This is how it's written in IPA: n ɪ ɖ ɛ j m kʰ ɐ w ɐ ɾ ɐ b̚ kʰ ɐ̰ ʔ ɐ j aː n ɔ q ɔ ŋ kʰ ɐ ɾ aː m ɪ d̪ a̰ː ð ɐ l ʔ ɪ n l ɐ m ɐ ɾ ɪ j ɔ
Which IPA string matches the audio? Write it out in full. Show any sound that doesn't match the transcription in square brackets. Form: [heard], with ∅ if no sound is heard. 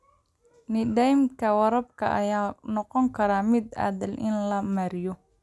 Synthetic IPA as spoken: n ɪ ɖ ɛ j m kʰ ɐ w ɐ ɾ ɐ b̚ kʰ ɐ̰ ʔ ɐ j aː n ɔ q ɔ ŋ kʰ ɐ ɾ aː m ɪ d̪ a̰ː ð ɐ l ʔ ɪ n l ɐ m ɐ ɾ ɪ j ɔ